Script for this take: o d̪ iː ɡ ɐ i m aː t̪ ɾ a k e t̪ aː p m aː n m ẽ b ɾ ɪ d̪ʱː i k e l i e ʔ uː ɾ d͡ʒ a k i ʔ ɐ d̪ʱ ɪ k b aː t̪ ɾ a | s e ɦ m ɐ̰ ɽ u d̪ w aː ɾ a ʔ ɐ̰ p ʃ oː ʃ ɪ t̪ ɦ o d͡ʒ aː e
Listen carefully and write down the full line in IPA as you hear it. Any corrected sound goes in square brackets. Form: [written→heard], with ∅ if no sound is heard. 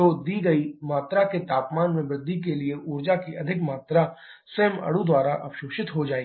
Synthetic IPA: o d̪ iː ɡ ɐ i m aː t̪ ɾ a k e t̪ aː p m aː n m ẽ b ɾ ɪ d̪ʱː i k e l i e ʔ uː ɾ d͡ʒ a k i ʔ ɐ d̪ʱ ɪ k [b→m] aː t̪ ɾ a | s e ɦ m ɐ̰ ɽ u d̪ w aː ɾ a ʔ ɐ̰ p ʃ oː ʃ ɪ t̪ ɦ o d͡ʒ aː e

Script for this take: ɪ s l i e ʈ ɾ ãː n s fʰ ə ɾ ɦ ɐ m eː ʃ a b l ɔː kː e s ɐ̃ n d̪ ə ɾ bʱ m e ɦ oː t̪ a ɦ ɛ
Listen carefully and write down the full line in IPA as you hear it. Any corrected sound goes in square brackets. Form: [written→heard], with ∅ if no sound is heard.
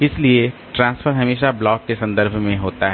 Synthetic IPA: ɪ s l i e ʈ ɾ ãː n s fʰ ə ɾ ɦ ɐ m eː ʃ a b l ɔː kː e s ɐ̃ n d̪ ə ɾ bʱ m [e→ẽ] ɦ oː t̪ a ɦ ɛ

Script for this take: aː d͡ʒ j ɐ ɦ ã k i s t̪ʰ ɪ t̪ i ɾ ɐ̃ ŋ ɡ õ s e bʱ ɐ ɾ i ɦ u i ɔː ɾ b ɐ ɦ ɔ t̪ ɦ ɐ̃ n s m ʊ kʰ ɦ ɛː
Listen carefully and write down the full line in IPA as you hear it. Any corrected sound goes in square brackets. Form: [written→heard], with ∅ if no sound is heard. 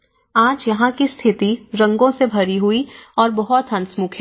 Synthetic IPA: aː d͡ʒ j ɐ ɦ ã k i s t̪ʰ ɪ t̪ i ɾ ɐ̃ ŋ ɡ õ s e bʱ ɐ ɾ i ɦ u i ɔː ɾ b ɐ ɦ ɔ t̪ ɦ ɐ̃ n s m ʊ kʰ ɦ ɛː

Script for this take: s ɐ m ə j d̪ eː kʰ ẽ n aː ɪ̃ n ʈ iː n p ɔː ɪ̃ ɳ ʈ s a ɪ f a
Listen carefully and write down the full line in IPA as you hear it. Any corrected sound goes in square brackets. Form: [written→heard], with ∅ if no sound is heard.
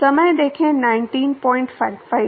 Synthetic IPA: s ɐ m ə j d̪ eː kʰ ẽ n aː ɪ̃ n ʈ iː n p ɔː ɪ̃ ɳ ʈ [s→f] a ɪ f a

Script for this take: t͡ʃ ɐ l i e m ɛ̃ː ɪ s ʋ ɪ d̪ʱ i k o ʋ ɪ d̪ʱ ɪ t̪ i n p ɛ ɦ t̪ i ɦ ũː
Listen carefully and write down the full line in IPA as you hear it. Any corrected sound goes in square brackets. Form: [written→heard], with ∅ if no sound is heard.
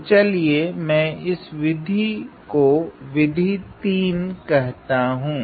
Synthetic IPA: t͡ʃ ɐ l i e m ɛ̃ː ɪ s ʋ ɪ d̪ʱ i k o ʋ ɪ d̪ʱ [ɪ→i] t̪ [i→iː] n [p→k] ɛ ɦ t̪ [i→a] ɦ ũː

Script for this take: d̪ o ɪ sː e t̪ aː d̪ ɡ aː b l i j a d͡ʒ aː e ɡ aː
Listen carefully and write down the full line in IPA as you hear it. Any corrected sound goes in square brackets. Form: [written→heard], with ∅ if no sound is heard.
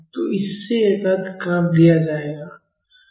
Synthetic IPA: [d̪→t̪] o ɪ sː e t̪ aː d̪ [ɡ→k] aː [b→m] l i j a d͡ʒ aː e ɡ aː

